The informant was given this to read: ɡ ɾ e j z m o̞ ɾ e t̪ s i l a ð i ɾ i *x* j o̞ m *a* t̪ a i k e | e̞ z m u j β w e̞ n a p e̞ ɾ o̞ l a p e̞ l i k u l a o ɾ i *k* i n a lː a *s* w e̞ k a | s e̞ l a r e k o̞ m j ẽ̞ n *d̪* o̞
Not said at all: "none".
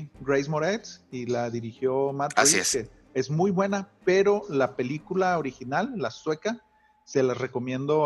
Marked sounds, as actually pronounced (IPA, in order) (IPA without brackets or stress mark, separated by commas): x, a, x, s, d̪